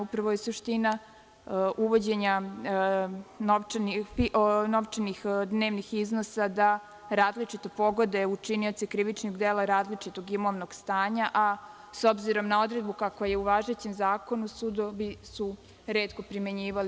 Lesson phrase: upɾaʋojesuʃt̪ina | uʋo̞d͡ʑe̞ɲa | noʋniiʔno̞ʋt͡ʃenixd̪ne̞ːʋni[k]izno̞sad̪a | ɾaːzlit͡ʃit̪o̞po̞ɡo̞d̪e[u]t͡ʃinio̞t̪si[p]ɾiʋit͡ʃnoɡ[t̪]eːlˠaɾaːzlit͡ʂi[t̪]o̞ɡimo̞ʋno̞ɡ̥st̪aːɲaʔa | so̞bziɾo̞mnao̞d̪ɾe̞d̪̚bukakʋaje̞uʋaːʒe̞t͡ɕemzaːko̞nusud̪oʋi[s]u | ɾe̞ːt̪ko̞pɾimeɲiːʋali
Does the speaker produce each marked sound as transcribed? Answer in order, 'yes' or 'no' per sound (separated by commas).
no, yes, no, no, yes, yes